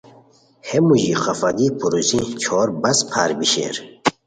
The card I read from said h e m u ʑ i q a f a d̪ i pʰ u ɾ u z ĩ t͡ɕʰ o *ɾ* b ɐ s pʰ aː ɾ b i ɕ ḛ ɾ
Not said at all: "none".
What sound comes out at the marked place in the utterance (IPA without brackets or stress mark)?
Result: ɾ